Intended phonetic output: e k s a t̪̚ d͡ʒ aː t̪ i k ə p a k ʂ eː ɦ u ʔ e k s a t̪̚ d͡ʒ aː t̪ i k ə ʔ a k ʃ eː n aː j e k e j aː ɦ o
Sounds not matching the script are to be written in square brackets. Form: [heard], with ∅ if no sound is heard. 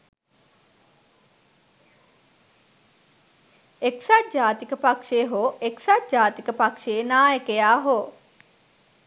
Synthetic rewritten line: e k s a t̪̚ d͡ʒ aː t̪ i k ə p a k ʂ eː ɦ [o] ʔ e k s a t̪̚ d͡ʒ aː t̪ i k ə [p] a k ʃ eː n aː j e k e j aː ɦ o